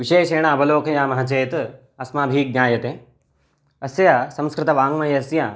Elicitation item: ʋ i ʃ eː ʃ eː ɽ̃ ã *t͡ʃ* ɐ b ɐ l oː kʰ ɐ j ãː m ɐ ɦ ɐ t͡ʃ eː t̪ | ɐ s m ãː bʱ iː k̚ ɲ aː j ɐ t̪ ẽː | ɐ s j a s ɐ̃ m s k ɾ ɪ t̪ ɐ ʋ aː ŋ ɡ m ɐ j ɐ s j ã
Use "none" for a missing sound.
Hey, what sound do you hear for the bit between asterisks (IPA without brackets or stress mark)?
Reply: none